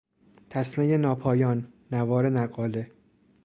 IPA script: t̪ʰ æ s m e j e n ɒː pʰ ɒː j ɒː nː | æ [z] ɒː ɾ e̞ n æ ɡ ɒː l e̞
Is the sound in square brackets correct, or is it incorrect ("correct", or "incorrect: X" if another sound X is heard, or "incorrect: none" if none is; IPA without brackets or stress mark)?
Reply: incorrect: v